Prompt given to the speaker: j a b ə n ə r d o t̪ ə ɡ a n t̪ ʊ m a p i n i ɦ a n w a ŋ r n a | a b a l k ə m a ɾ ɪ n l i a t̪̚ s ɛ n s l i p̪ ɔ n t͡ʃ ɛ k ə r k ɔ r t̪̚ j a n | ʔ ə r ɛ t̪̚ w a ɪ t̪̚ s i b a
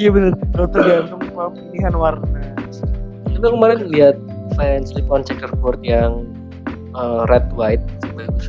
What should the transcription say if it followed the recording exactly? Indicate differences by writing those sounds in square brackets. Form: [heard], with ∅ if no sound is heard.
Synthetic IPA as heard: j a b ə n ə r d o t̪ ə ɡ a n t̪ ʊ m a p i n i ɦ a n w a [∅] r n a | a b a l k ə m a ɾ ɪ n l i a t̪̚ [f] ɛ n s l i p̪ ɔ n t͡ʃ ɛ k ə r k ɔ r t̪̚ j a [ŋ] | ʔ ə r ɛ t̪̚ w a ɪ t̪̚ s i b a